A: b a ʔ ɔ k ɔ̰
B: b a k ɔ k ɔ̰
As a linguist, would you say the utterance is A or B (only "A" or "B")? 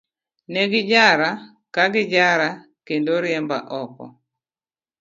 A